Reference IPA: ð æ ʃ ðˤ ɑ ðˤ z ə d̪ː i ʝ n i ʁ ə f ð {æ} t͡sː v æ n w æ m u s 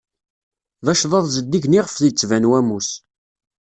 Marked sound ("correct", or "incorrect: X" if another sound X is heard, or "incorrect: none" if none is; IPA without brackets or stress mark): incorrect: i